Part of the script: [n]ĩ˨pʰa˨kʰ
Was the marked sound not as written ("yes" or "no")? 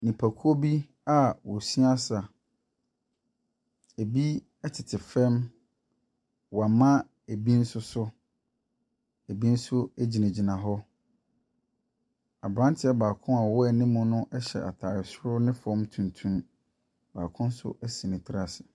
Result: no